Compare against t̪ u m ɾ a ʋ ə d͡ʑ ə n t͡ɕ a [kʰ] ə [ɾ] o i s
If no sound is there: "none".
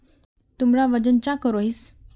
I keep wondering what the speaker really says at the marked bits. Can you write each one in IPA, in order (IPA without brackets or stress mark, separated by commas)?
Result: k, ɾ